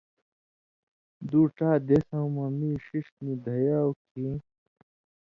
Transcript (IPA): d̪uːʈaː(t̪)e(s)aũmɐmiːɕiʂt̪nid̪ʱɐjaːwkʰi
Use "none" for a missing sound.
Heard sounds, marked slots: d̪, s

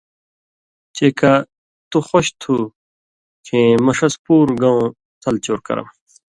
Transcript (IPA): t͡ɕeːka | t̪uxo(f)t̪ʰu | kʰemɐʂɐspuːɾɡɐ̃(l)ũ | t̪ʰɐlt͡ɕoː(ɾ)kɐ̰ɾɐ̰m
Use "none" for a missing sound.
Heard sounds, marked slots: ɕ, none, ɾ

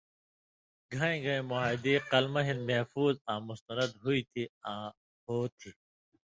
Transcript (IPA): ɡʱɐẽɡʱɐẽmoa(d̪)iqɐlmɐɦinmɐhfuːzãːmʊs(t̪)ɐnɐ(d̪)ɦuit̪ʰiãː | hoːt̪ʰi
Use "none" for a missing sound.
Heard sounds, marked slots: d̪, t̪, d̪

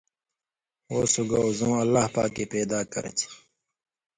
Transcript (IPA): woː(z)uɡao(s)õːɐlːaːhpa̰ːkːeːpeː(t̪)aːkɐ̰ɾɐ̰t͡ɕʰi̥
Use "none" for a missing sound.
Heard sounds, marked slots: s, z, d̪

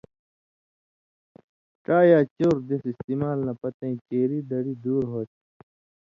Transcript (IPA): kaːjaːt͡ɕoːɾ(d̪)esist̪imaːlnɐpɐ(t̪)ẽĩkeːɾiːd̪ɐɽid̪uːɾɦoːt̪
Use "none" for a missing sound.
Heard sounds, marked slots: d̪, t̪

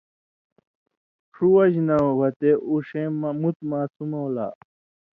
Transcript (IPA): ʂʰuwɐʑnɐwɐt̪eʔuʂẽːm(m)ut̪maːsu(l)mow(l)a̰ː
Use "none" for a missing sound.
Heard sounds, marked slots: m, none, l

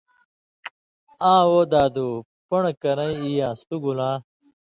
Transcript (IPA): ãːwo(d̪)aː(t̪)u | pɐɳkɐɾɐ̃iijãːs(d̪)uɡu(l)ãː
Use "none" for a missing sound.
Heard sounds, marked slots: d̪, d̪, t̪, l

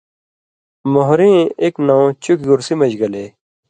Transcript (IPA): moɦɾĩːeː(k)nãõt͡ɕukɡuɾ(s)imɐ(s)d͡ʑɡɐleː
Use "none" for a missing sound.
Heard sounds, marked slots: k, s, none

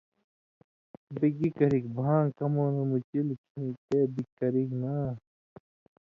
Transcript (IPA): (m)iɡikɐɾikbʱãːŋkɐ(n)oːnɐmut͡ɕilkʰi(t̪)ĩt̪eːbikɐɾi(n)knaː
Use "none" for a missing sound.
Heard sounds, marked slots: b, m, none, none

